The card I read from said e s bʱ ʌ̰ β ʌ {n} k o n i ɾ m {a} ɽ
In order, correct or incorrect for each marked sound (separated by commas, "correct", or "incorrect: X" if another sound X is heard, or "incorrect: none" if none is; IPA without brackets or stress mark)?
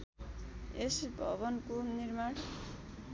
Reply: correct, correct